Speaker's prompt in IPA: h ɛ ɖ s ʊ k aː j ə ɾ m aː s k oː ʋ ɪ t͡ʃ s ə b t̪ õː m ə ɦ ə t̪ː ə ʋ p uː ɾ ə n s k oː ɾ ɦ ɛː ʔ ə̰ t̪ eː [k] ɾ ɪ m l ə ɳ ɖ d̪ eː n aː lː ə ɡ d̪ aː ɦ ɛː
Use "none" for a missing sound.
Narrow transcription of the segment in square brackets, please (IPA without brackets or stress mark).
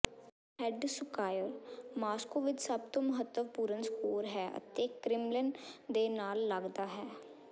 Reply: k